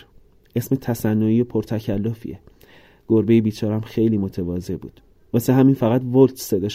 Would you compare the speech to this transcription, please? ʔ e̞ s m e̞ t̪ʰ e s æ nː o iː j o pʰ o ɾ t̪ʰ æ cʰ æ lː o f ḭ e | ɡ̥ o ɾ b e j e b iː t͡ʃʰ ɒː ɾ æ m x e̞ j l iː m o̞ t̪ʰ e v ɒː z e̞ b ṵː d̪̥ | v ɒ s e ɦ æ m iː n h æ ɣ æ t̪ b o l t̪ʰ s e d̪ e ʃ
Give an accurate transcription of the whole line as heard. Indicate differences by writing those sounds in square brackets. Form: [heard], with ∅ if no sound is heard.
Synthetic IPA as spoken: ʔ e̞ s m e̞ t̪ʰ [æ] s æ nː o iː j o pʰ o ɾ t̪ʰ æ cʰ æ lː o f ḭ e | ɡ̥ o ɾ b e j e b iː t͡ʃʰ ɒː ɾ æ m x e̞ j l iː m o̞ t̪ʰ e v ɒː z e̞ b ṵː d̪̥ | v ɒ s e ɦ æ m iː n [f] æ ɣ æ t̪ [v] o l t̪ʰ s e d̪ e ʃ